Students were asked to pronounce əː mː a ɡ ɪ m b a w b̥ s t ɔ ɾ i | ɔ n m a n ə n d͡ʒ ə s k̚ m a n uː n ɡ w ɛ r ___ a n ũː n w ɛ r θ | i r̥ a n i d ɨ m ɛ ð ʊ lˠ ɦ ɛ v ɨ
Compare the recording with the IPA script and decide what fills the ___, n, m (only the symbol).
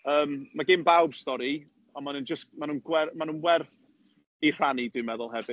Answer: m